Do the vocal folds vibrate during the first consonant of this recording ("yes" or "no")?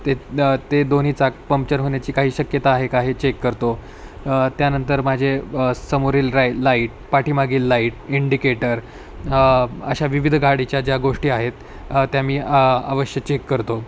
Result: no